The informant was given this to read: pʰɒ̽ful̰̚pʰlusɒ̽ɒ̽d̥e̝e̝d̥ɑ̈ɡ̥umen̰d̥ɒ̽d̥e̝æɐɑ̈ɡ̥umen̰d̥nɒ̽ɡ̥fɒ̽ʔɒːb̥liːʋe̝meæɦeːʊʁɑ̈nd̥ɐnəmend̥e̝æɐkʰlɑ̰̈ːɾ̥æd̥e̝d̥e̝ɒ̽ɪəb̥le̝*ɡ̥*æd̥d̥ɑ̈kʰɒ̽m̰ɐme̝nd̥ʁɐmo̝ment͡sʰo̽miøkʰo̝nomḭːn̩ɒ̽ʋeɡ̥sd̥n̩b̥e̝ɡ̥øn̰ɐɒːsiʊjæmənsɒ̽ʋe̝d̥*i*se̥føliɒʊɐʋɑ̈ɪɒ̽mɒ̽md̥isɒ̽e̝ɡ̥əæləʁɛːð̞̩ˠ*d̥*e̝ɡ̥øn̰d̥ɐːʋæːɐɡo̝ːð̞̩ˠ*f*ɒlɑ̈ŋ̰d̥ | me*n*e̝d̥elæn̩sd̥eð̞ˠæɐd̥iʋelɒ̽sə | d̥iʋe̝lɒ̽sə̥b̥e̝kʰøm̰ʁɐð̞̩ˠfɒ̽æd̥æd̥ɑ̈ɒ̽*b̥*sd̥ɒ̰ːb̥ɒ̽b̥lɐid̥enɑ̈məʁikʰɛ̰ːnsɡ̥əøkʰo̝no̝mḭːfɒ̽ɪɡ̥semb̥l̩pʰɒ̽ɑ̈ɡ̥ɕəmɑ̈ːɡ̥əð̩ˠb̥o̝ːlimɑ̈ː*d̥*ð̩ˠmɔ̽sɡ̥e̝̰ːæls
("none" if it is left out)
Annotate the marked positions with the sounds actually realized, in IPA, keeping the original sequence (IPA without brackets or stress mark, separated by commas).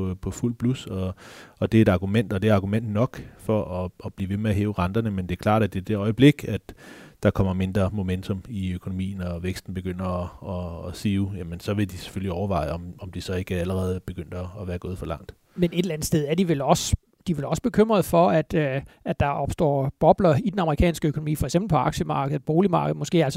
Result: ɡ̥, i, b̥, f, n, b̥, ɡ̥